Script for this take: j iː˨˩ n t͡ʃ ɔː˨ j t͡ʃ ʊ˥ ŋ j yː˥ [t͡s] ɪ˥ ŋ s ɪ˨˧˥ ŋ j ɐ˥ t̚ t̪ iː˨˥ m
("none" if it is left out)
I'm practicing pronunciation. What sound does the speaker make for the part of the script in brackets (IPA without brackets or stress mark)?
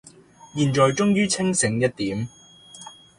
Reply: t͡sʰ